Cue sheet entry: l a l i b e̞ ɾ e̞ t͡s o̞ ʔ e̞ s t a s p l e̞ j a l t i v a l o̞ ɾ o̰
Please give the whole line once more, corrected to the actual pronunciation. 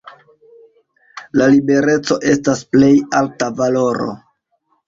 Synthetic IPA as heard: l a l i b e̞ ɾ e̞ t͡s o̞ ʔ e̞ s t a s p l e̞ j a l t a v a l o̞ ɾ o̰